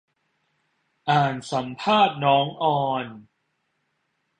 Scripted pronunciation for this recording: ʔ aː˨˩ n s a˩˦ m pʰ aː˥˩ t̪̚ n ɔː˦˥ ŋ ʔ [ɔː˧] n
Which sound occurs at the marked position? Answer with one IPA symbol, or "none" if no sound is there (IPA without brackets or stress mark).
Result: ɔː˧